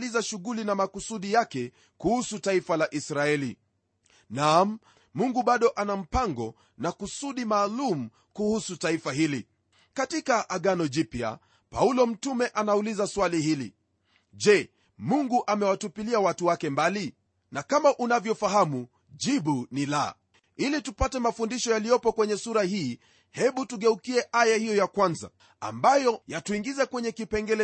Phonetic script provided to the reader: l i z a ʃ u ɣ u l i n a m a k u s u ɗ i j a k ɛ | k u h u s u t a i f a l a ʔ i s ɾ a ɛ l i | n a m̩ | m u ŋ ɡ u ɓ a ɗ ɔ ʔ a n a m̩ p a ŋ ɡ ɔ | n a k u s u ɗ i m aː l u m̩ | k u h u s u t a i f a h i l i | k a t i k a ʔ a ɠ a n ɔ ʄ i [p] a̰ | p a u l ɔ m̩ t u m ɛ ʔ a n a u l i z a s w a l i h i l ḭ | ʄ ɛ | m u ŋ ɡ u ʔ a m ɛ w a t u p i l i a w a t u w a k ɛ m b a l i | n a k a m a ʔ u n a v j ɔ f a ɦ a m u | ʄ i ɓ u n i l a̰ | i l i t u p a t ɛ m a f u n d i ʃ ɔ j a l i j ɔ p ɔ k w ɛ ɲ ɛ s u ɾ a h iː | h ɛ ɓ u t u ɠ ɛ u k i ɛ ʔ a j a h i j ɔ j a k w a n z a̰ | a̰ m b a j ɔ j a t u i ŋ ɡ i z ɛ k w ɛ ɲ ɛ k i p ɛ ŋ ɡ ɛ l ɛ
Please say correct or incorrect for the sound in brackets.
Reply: correct